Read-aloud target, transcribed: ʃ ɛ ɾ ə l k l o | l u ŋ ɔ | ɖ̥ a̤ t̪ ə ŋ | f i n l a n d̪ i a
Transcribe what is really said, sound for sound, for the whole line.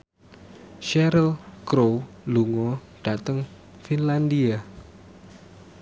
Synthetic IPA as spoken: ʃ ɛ ɾ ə l k ɾ o | l u ŋ ɔ | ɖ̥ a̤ t̪ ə ŋ | f i n l a n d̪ i a